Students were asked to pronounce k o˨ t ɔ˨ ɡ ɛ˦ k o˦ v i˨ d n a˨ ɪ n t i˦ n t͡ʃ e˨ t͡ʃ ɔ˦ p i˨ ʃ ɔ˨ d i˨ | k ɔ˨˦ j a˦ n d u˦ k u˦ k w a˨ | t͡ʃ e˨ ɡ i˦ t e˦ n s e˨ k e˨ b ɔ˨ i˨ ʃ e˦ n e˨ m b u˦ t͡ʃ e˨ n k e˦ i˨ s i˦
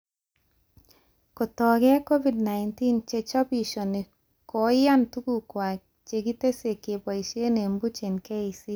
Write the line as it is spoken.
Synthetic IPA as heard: k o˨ t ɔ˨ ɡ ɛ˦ k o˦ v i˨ d n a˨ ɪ n t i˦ n t͡ʃ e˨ t͡ʃ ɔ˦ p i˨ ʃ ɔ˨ n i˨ | k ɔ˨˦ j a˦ n t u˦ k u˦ k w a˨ | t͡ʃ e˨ ɡ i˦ t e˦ s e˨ k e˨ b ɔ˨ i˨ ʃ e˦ n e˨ m b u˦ t͡ʃ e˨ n k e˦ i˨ s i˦

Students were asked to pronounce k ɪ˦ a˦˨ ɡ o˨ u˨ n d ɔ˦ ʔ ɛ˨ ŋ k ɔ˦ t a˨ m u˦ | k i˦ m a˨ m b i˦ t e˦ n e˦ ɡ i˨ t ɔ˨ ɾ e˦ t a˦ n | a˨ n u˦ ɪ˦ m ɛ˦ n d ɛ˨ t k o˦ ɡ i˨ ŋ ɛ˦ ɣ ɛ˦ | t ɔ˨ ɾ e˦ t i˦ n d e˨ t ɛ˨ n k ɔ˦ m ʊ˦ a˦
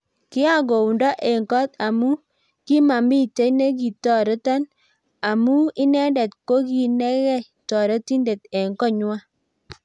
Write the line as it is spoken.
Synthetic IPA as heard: k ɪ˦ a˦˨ ɡ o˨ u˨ n d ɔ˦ ʔ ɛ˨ ŋ k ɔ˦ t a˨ m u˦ | k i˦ m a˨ m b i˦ t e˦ n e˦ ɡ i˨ t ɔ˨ ɾ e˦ t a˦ n | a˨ m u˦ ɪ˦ n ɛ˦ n d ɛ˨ t k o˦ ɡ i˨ n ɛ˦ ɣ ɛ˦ | t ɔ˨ ɾ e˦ t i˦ n d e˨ t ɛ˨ ŋ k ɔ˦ ɲ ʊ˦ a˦

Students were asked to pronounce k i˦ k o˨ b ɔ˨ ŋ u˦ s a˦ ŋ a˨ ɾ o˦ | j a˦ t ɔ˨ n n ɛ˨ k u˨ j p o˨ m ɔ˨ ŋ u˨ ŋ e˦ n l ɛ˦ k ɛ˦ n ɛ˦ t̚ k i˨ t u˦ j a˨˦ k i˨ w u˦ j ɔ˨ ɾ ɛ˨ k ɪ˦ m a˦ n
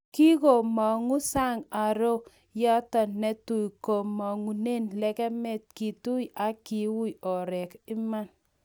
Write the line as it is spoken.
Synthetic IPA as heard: k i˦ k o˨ m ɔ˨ ŋ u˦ s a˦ ŋ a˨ ɾ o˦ | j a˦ t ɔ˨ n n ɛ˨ t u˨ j k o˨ m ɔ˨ ŋ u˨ n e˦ n l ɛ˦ k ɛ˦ m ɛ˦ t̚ k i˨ t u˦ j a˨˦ k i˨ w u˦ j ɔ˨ ɾ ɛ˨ k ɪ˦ m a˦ n

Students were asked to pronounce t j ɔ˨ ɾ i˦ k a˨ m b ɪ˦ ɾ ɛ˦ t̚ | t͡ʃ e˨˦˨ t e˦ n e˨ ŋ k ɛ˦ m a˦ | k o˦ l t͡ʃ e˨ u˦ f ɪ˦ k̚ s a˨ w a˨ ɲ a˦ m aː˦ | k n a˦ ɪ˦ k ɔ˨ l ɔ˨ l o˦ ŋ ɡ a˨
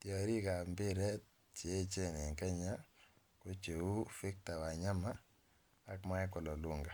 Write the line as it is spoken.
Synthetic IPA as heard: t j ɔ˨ ɾ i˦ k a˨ m b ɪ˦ ɾ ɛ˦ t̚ | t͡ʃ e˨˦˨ t͡ʃ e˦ n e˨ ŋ k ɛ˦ ɲ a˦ | k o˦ t͡ʃ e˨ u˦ f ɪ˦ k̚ t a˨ w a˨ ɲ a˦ m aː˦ | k m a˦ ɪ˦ k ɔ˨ l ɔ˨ l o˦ ŋ ɡ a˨

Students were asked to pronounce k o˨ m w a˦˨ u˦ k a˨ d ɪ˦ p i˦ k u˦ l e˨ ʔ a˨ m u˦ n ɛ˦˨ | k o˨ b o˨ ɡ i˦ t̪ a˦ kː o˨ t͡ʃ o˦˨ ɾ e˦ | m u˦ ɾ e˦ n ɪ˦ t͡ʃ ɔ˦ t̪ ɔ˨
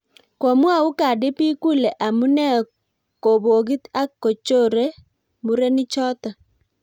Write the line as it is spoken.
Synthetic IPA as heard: k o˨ m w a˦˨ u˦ k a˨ d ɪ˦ p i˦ k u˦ l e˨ ʔ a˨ m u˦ n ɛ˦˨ | k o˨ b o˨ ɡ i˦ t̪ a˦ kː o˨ t͡ʃ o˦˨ ɾ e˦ | m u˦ ɾ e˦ n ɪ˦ t͡ʃ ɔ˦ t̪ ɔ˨

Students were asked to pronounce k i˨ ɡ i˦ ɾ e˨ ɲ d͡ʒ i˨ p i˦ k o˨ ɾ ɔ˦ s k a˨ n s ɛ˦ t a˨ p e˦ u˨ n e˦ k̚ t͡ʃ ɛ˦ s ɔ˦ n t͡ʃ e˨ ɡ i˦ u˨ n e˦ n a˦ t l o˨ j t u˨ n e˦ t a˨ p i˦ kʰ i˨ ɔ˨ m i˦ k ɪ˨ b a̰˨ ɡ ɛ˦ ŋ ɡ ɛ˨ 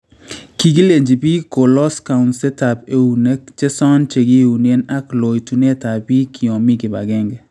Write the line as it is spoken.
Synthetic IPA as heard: k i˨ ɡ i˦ l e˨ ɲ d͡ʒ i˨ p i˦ k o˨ l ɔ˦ s k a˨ n s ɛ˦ t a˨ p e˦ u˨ n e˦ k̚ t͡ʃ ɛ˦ s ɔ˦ n t͡ʃ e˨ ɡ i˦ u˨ n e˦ n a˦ k l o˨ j t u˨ n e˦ t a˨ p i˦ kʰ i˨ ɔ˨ m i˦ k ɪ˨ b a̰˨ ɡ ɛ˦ ŋ ɡ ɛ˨

